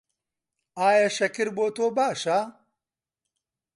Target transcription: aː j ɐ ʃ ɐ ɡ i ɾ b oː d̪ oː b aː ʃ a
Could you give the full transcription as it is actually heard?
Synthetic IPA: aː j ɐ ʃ ɐ k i ɾ b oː t̪ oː b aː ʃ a